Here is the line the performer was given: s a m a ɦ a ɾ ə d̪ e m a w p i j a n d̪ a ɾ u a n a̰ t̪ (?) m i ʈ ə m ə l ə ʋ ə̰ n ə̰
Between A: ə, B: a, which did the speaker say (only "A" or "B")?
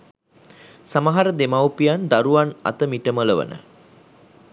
A